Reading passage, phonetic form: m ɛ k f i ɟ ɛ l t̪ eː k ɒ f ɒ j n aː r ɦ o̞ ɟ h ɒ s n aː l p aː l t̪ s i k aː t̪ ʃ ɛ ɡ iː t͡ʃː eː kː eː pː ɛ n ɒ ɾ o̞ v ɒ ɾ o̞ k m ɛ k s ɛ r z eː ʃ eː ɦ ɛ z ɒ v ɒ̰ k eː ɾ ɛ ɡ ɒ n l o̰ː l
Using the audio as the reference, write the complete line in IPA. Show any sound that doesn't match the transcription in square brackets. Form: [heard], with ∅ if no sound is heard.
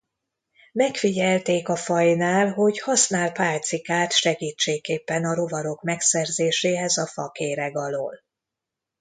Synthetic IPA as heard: m ɛ k f i ɟ ɛ l t̪ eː k ɒ f ɒ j n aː [l] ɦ o̞ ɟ h ɒ s n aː l p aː l t̪ s i k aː t̪ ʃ ɛ ɡ iː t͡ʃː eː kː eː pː ɛ n ɒ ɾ o̞ v ɒ ɾ o̞ k m ɛ k s ɛ r z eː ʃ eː ɦ ɛ z ɒ [f] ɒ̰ k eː ɾ ɛ ɡ ɒ [∅] l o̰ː l